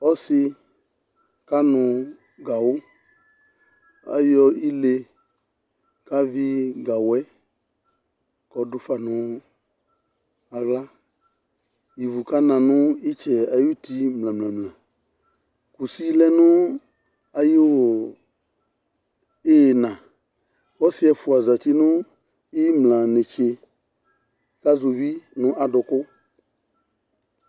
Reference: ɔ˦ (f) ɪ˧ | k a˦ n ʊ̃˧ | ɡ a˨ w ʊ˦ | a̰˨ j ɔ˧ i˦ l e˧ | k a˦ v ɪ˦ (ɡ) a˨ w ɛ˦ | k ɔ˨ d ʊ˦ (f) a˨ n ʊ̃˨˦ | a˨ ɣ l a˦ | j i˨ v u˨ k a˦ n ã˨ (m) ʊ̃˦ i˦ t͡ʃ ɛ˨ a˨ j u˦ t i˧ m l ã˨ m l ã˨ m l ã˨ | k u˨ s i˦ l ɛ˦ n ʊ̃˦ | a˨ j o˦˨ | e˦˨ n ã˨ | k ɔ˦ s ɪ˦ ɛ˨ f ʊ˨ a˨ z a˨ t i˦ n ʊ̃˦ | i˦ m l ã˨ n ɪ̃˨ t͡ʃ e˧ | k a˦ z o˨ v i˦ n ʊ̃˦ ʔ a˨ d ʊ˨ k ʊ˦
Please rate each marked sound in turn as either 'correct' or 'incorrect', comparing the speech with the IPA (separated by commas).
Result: incorrect, correct, correct, incorrect